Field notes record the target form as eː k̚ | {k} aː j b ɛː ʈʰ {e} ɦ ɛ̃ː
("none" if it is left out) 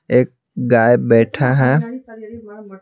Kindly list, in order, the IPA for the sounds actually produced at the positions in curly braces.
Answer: ɡ, a

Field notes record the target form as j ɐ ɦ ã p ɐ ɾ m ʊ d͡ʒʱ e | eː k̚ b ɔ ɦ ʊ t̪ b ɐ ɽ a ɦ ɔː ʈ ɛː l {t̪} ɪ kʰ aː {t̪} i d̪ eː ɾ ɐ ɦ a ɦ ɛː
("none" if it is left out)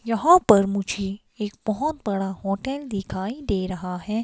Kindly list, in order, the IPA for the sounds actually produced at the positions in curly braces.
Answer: d̪, none

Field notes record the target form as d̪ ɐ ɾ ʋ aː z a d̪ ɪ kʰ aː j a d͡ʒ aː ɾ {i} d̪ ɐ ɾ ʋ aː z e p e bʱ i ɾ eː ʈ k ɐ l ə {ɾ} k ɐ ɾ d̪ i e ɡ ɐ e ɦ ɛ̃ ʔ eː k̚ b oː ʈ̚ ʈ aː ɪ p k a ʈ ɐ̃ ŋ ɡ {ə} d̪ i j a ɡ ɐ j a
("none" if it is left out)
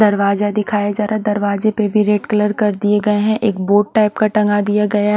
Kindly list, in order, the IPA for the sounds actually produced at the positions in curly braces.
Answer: a, ɾ, a

